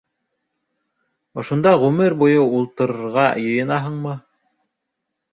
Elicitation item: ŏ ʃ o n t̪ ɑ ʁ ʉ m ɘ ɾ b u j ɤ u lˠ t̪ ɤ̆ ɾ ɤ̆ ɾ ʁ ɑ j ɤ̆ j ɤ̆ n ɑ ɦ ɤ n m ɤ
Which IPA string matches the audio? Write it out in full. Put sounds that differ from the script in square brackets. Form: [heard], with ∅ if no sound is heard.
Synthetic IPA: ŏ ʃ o n [d̪] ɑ ʁ ʉ m ɘ ɾ b u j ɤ u lˠ t̪ ɤ̆ ɾ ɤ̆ ɾ ʁ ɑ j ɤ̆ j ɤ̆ n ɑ ɦ ɤ [ɴ] m ɤ

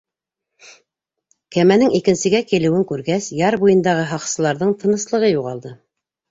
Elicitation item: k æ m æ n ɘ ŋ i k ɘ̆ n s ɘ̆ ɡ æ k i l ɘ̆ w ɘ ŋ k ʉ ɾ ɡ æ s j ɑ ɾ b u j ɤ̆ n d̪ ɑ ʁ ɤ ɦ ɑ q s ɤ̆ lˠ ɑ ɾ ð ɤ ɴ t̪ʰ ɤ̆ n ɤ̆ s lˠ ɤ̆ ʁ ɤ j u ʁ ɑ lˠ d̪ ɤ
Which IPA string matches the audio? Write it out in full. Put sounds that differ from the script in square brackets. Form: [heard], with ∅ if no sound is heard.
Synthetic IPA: k æ m æ n ɘ ŋ i k ɘ̆ n s ɘ̆ ɡ æ k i l ɘ̆ w ɘ ŋ k ʉ ɾ ɡ æ s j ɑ ɾ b u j ɤ̆ n d̪ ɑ ʁ ɤ ɦ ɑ q s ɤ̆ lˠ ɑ ɾ ð ɤ ɴ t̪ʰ ɤ̆ n ɤ̆ s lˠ ɤ̆ ʁ ɤ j u ʁ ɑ lˠ d̪ ɤ

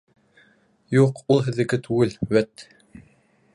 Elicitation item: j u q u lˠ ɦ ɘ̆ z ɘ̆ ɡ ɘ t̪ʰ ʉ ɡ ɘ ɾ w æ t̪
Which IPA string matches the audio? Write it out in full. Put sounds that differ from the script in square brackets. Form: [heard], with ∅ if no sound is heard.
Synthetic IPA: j u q u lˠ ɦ ɘ̆ [ð] ɘ̆ ɡ ɘ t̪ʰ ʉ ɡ ɘ [l] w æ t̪

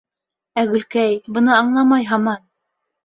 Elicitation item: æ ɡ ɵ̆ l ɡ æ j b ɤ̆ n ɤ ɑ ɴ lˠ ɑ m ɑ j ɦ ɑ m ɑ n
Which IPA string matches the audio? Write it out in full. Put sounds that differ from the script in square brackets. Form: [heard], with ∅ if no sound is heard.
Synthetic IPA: æ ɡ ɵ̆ l [k] æ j b ɤ̆ n ɤ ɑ ɴ lˠ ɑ m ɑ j ɦ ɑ m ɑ n

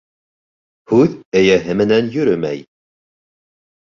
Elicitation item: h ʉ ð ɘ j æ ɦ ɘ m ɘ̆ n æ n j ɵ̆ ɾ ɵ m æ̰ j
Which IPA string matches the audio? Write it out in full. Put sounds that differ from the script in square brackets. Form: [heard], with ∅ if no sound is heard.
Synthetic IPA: h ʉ ð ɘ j æ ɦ ɘ m ɘ̆ n æ n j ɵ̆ ɾ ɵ m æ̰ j

